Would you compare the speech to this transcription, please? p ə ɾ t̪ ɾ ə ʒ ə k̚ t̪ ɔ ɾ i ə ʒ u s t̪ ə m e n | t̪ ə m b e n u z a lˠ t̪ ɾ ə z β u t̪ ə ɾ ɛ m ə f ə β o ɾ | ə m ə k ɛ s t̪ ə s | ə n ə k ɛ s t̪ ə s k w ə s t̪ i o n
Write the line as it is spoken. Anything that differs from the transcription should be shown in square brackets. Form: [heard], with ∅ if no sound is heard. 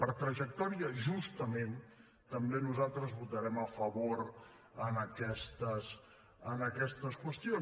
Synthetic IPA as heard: p ə ɾ t̪ ɾ ə ʒ ə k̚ t̪ ɔ ɾ i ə ʒ u s t̪ ə m e n | t̪ ə m b e n u z a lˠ t̪ ɾ ə z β u t̪ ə ɾ ɛ m ə f ə β o ɾ | ə [n] ə k ɛ s t̪ ə s | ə n ə k ɛ s t̪ ə s k w ə s t̪ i o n